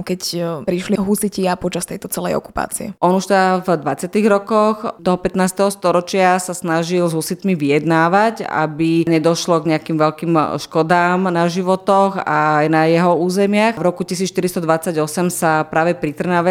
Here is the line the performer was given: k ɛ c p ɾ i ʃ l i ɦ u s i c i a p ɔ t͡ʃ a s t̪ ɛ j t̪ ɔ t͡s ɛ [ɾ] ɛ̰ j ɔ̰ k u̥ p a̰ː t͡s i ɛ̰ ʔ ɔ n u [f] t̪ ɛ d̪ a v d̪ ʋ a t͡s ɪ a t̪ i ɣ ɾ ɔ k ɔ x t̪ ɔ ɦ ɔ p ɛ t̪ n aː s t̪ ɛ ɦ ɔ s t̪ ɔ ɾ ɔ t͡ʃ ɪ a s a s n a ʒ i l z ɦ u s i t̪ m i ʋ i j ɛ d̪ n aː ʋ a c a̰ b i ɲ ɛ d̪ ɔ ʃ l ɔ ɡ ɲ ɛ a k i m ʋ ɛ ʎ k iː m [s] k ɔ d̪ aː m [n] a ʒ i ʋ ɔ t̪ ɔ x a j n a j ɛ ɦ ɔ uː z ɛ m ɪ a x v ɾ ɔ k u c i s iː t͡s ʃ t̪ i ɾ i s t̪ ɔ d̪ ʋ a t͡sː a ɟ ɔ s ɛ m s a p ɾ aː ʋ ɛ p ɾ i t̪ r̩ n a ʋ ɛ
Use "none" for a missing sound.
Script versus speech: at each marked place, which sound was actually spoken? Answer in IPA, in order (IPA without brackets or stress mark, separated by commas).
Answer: l, ʃ, ʃ, n